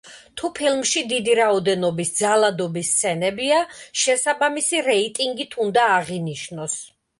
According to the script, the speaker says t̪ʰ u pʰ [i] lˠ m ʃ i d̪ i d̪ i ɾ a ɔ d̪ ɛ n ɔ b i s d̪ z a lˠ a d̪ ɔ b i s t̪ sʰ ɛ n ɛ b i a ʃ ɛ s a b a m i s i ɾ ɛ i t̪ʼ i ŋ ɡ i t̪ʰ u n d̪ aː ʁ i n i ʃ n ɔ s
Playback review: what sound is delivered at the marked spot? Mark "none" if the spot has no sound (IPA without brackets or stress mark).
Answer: i